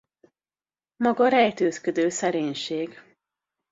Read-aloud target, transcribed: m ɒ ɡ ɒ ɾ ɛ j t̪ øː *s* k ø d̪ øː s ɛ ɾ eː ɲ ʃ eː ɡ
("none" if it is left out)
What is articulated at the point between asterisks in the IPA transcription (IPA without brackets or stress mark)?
s